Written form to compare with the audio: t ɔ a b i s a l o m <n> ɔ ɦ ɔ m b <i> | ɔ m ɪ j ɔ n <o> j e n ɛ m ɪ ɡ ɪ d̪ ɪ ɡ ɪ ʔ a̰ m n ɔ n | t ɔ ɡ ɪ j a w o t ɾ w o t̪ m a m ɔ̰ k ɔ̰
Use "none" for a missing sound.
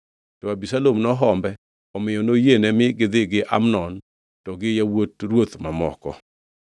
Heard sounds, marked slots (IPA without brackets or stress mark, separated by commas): n, ɛ, o